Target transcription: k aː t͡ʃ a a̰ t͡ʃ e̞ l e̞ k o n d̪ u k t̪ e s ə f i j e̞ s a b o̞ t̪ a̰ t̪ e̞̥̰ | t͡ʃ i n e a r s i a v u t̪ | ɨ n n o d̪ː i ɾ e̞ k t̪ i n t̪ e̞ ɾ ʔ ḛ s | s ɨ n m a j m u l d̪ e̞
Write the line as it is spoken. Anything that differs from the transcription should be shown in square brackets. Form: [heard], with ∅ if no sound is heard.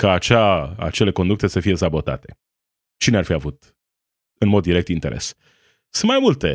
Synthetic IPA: k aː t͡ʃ a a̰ t͡ʃ e̞ l e̞ k o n d̪ u k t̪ e s ə f i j e̞ s a b o̞ t̪ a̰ t̪ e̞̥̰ | t͡ʃ i n e a r [f] i a v u t̪ | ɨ n [m] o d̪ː i ɾ e̞ k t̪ i n t̪ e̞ ɾ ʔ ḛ s | s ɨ n m a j m u l [t̪] e̞